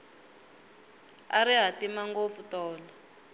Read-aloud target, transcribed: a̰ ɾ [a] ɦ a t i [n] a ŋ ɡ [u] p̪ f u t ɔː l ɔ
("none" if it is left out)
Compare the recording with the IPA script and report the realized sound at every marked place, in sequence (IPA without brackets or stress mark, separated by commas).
i, m, o